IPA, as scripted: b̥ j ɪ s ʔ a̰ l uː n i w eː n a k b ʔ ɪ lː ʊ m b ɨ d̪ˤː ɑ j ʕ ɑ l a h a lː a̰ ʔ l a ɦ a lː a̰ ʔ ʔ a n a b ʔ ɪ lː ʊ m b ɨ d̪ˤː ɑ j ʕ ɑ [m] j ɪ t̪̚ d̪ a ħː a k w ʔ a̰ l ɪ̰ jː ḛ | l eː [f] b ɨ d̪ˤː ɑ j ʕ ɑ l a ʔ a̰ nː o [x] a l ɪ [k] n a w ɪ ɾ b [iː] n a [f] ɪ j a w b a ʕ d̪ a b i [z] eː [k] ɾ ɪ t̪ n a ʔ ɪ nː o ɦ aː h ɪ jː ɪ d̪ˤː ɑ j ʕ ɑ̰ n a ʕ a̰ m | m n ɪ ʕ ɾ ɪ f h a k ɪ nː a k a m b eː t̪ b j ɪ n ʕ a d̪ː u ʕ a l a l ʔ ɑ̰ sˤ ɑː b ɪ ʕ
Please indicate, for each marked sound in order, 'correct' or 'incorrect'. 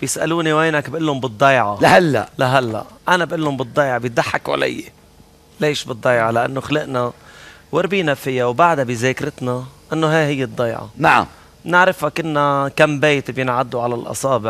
incorrect: b, incorrect: ʃ, correct, incorrect: ʔ, correct, correct, correct, correct

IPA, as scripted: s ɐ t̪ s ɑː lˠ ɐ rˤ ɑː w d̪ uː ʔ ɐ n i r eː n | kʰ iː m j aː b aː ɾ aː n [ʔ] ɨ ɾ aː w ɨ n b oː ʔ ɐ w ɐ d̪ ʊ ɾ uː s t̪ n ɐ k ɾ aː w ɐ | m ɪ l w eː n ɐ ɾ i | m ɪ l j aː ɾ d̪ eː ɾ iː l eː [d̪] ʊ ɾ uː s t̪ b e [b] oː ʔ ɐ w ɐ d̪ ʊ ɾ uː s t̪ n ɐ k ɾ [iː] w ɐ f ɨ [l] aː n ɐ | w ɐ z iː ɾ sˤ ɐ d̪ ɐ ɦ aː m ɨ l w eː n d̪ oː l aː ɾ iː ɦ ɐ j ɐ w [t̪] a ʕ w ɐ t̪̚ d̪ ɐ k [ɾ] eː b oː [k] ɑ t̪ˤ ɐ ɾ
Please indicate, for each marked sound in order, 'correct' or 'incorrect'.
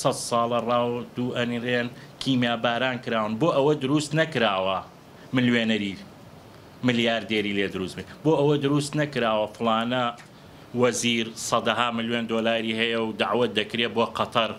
incorrect: k, correct, correct, incorrect: aː, correct, incorrect: d̪, correct, incorrect: q

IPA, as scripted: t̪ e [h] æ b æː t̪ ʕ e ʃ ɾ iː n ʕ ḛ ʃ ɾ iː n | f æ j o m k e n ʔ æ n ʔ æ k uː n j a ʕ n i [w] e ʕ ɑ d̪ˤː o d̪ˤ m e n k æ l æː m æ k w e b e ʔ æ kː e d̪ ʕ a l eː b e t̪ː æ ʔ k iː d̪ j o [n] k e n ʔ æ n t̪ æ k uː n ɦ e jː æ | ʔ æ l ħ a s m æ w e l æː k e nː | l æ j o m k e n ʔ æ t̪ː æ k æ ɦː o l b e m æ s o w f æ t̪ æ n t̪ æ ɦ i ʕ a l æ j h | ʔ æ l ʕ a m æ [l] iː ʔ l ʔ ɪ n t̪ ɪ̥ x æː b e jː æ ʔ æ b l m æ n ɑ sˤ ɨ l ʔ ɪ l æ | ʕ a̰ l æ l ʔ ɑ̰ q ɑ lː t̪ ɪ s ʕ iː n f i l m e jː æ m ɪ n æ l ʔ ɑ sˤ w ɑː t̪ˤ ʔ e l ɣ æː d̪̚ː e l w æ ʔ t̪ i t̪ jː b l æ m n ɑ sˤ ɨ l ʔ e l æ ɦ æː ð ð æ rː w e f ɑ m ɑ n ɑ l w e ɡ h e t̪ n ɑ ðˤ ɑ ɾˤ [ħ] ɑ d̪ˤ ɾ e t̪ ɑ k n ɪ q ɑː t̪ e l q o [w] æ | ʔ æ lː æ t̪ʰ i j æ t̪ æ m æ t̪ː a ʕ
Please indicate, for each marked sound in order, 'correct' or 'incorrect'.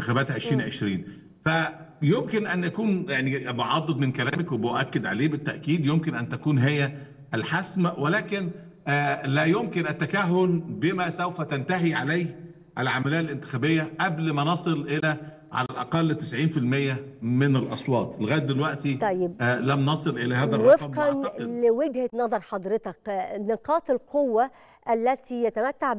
incorrect: x, incorrect: b, incorrect: m, correct, correct, incorrect: wː

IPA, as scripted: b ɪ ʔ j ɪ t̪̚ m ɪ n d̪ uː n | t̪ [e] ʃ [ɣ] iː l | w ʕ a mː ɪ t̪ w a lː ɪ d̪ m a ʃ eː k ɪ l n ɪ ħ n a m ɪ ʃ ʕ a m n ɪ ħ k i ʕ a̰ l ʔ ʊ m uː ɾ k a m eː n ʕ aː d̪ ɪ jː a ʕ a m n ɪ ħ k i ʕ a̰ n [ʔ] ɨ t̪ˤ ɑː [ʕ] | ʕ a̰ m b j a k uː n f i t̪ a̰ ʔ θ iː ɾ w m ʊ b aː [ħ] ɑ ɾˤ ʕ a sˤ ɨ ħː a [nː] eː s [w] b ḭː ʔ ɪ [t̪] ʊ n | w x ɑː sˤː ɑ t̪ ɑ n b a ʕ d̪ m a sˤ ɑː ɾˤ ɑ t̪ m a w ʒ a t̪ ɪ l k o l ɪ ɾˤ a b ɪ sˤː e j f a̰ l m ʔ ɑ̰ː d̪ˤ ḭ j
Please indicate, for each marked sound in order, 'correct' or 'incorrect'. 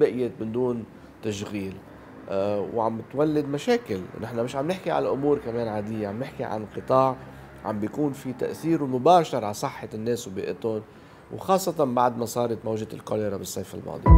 incorrect: a, correct, incorrect: q, correct, incorrect: ʃ, correct, correct, correct

